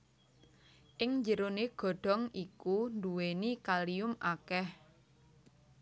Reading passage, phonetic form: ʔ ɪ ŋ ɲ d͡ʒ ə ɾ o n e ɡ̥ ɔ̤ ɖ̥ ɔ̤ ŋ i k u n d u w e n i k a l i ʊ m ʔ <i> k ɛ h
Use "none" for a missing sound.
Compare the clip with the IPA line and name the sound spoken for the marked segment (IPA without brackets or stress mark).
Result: a